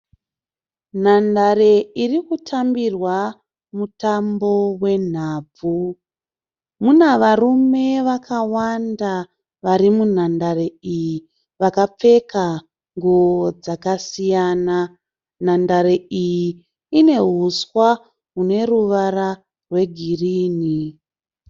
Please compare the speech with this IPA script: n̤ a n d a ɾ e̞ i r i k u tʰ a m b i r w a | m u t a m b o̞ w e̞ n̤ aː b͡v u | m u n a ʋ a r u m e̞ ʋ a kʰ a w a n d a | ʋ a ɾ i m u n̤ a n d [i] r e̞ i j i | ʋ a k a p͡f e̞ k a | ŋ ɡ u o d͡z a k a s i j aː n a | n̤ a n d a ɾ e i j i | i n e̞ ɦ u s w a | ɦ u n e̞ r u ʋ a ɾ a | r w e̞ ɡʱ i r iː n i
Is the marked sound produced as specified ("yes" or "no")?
no